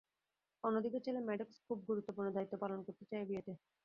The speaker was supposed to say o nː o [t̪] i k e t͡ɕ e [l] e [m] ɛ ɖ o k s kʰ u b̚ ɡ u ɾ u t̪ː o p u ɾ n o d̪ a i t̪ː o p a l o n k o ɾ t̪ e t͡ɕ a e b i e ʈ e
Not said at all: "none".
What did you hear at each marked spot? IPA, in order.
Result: d̪, l, m

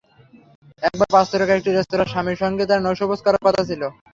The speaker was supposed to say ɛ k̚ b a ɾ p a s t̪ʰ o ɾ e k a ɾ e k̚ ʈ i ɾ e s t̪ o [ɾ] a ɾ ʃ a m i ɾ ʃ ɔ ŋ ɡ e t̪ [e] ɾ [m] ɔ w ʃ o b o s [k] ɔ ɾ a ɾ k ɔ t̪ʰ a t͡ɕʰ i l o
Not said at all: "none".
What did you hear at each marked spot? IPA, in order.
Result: ɾ, a, n, k

